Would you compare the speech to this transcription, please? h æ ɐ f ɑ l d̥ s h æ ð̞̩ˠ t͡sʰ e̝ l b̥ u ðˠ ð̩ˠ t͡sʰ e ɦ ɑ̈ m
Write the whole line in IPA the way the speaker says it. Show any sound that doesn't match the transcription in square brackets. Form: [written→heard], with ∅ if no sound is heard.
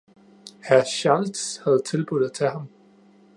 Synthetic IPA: h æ ɐ [f→ɕ] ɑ l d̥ s h æ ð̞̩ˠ t͡sʰ e̝ l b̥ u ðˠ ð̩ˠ t͡sʰ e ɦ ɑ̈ m